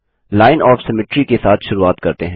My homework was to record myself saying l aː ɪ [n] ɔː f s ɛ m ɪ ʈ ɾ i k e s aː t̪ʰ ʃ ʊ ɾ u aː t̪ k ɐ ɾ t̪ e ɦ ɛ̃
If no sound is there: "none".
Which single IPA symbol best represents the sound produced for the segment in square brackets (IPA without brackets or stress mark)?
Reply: n